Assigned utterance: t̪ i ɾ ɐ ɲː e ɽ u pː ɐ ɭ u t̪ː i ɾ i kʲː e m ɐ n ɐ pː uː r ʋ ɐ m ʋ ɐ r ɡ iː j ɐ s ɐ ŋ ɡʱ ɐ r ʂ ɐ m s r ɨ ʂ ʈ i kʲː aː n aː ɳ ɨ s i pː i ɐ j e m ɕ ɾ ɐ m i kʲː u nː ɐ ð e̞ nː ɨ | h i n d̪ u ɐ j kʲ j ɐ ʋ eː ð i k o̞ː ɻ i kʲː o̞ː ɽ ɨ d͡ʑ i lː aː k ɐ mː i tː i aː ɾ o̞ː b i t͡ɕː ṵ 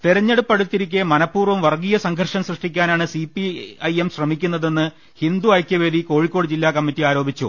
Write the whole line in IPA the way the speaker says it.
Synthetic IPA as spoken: t̪ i ɾ ɐ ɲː e ɽ u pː ɐ ɽ u t̪ː i ɾ i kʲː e m ɐ n ɐ pː uː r ʋ ɐ m ʋ ɐ r ɡ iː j ɐ s ɐ ŋ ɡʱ ɐ r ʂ ɐ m s r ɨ ʂ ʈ i kʲː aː n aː ɳ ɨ s i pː i ɐ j e m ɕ r ɐ m i kʲː u nː ɐ ð e̞ nː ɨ | h i n d̪ u ɐ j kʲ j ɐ ʋ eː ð i k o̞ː ɻ i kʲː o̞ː ɽ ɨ d͡ʑ i lː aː k ɐ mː i tː i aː ɾ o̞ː b i t͡ɕː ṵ